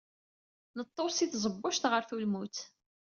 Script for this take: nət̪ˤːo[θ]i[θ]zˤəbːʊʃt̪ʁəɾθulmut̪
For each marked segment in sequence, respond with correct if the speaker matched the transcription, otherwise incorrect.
incorrect: s, correct

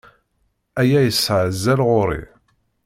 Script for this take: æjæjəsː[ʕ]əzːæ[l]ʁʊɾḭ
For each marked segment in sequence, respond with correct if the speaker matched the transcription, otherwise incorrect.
correct, correct

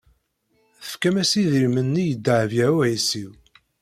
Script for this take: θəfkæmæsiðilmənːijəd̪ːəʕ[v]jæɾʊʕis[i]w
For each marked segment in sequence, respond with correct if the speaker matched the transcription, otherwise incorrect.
correct, correct

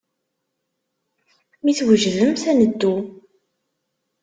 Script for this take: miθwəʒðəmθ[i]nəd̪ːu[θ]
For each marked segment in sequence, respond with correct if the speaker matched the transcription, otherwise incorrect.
incorrect: æ, incorrect: none

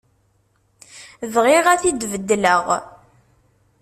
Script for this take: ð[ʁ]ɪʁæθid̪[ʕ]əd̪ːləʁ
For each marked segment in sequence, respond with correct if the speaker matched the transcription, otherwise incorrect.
correct, incorrect: v

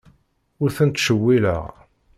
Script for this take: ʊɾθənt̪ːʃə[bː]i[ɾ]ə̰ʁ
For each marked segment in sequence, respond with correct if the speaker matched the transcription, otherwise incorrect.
incorrect: wː, incorrect: l

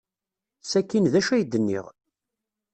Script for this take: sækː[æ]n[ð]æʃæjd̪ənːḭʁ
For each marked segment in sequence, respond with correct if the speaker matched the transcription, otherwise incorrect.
incorrect: i, correct

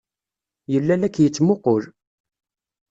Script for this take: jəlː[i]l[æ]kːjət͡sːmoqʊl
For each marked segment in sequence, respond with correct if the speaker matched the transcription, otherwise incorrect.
incorrect: æ, correct

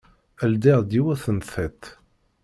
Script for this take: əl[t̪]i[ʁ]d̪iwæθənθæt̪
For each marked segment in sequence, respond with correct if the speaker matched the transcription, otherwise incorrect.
incorrect: d̪, correct

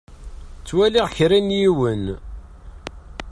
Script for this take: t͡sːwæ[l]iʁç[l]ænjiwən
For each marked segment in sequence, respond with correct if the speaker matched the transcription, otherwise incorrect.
correct, incorrect: ɾ

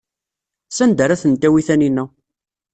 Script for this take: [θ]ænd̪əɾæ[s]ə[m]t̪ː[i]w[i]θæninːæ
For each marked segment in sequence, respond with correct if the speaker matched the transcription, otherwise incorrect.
incorrect: s, incorrect: θ, incorrect: n, incorrect: æ, correct

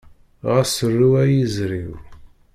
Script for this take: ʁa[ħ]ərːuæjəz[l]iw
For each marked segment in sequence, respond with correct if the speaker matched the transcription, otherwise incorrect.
incorrect: s, incorrect: ɾ

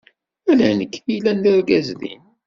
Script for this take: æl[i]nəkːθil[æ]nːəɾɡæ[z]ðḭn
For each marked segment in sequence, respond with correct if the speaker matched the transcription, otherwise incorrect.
incorrect: æ, correct, correct

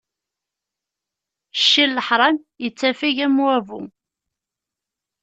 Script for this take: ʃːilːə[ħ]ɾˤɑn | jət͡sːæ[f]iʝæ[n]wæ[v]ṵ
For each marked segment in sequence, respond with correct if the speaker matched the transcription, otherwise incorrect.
correct, correct, incorrect: m, correct

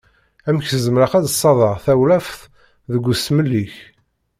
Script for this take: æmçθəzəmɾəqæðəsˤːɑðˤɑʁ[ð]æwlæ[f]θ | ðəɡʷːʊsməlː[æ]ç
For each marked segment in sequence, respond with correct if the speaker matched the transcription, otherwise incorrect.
incorrect: θ, correct, incorrect: i

